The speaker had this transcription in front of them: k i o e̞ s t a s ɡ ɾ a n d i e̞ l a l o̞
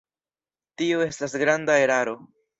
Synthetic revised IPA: t i o e̞ s t a s ɡ ɾ a n d a e̞ ɾ a ɾ o̞